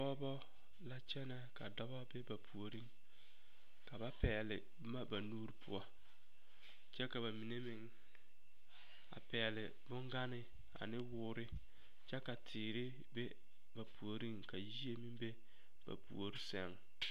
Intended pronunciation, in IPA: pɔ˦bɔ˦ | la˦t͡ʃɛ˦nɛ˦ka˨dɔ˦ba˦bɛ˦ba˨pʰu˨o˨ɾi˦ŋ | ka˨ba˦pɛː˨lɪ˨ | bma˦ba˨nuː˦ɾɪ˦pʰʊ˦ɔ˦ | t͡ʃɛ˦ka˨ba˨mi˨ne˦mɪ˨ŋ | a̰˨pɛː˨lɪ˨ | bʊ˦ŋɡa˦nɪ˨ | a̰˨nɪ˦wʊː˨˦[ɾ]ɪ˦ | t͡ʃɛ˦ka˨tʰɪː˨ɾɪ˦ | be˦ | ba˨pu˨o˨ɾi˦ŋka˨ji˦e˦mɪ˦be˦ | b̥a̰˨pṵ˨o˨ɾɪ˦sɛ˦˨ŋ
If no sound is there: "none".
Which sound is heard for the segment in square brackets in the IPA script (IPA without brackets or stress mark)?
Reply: ɾ